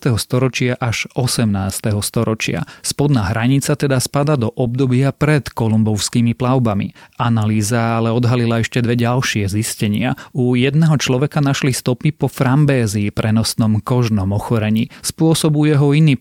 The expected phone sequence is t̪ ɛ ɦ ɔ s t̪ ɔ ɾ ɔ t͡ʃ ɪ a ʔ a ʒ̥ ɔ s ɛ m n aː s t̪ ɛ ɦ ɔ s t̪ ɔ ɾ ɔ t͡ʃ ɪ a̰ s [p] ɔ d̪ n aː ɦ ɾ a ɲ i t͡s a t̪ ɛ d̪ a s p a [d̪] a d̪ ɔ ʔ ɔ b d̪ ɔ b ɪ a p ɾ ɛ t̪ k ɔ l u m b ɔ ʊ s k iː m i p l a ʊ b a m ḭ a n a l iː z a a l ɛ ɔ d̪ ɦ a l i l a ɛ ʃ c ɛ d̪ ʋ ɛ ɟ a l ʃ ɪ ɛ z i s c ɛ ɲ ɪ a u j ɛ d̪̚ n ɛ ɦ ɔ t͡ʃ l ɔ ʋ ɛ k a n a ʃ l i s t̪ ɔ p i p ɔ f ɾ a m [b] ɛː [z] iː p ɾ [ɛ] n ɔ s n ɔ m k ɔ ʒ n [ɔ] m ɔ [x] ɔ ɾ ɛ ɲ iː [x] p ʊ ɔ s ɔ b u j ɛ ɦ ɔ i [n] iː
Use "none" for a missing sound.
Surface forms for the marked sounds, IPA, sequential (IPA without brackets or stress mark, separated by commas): p, d̪, b, z, ɛ, ɔ, x, s, n